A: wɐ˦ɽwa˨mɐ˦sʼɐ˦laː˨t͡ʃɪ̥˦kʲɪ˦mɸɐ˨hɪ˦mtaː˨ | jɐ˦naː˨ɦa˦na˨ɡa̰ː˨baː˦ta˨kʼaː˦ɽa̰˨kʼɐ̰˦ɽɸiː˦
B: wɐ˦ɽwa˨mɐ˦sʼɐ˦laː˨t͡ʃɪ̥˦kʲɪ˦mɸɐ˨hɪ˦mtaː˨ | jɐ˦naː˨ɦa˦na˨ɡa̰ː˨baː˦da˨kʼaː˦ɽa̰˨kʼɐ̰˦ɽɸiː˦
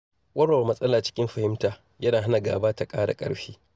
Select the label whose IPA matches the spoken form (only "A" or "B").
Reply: A